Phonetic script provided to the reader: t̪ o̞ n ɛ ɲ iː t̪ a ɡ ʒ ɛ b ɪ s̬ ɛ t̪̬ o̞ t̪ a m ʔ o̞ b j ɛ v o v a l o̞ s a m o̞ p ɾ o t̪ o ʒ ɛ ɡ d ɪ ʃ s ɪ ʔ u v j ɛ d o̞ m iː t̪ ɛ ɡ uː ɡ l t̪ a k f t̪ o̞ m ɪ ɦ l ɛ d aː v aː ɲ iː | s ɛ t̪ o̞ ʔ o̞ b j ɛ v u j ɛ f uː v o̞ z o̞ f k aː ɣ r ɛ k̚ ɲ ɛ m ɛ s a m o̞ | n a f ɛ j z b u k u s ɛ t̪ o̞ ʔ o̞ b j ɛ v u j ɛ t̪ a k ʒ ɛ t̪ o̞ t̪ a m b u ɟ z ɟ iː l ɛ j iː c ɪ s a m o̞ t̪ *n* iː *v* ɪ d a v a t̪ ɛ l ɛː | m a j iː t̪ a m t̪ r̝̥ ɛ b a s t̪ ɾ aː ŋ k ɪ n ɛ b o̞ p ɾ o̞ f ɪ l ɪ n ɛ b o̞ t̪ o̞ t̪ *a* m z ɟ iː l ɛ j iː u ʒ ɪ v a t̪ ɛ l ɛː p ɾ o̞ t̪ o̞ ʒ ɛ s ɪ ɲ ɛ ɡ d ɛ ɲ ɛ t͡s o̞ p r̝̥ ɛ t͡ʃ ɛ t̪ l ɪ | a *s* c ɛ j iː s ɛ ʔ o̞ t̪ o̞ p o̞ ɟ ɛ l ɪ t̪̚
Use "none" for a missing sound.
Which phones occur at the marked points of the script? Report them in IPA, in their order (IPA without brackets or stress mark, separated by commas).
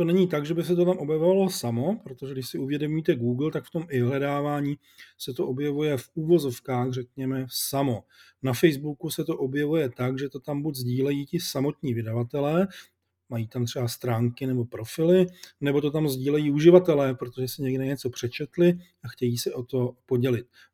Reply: ɲ, v, a, x